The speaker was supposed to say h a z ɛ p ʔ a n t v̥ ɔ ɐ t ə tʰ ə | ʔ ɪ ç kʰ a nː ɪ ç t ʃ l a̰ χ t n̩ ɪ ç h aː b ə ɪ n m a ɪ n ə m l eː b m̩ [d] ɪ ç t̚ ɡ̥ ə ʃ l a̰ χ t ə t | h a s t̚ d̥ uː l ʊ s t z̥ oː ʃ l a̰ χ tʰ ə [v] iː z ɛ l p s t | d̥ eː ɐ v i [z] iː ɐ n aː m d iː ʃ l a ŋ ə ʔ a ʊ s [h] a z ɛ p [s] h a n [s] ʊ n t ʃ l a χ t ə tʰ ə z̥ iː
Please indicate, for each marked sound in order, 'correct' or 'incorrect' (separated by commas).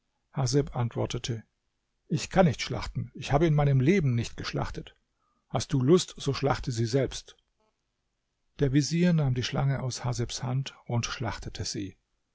incorrect, incorrect, correct, correct, correct, incorrect